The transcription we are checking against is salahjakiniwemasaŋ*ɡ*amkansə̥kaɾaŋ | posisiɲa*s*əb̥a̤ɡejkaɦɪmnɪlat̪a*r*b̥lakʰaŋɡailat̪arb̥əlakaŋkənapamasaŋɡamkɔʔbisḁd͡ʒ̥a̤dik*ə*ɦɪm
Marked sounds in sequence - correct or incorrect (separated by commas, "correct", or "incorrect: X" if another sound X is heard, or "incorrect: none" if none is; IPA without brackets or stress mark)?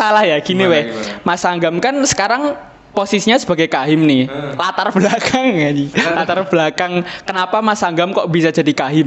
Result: correct, correct, correct, incorrect: a